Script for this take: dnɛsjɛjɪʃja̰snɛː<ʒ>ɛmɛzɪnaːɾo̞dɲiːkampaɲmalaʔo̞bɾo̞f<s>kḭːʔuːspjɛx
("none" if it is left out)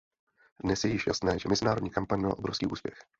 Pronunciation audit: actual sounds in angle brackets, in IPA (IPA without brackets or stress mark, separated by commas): ʒ, s